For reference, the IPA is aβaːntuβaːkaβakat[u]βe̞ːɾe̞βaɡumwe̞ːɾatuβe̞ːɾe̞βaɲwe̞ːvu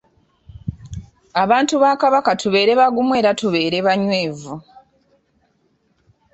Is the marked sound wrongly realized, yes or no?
no